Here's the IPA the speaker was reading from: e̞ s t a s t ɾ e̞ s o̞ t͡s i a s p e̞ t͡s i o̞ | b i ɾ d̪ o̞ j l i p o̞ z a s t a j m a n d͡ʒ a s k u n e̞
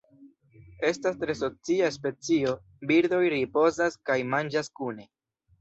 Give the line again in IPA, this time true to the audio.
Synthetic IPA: e̞ s t a s t ɾ e̞ s o̞ t͡s i a s p e̞ t͡s i o̞ | b i ɾ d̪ o̞ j ɾ i p o̞ z a s k a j m a n d͡ʒ a s k u n e̞